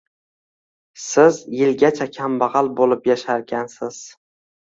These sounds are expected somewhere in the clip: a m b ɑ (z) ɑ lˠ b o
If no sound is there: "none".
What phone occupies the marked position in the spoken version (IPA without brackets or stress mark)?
ʁ